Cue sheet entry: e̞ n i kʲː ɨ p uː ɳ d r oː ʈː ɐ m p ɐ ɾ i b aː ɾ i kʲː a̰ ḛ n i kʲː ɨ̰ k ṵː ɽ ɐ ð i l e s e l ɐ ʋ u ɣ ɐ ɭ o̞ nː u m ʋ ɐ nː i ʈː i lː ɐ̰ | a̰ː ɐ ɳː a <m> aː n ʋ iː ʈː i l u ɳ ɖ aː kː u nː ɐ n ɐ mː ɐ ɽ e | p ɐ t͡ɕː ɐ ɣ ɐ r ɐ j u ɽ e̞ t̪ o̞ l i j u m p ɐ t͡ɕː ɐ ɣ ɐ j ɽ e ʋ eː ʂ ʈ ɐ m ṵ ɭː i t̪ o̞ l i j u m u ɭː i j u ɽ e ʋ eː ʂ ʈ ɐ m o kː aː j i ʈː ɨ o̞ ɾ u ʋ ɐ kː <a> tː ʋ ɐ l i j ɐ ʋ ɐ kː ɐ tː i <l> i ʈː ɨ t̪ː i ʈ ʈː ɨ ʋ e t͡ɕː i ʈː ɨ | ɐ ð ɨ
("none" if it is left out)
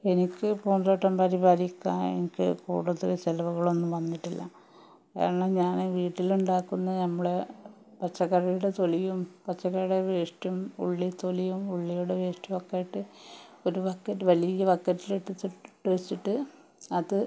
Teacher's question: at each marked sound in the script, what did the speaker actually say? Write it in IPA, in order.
ɲ, ɐ, l

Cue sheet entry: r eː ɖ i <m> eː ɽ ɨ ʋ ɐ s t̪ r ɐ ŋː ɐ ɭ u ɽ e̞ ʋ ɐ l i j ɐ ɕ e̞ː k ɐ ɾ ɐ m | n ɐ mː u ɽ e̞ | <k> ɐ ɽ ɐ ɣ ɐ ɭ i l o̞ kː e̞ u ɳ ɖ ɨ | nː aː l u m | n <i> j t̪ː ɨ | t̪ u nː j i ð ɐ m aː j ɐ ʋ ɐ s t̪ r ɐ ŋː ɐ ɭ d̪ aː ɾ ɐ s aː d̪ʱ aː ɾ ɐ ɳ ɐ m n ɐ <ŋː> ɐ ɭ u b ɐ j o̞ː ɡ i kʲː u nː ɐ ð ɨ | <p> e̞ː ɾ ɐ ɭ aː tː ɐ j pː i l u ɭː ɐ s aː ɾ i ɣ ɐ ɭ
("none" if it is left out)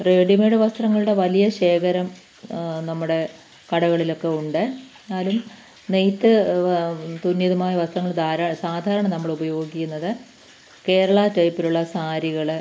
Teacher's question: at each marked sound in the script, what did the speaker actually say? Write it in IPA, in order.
m, k, e, mː, k

